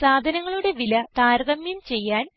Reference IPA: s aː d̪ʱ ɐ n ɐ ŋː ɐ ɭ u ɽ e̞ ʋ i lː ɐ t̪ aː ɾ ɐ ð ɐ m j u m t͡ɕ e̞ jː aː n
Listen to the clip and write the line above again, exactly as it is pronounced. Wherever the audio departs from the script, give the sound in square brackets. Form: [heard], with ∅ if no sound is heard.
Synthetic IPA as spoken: s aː d̪ʱ ɐ n ɐ ŋː ɐ ɭ u ɽ e̞ ʋ i [l] ɐ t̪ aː ɾ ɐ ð ɐ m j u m t͡ɕ e̞ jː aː n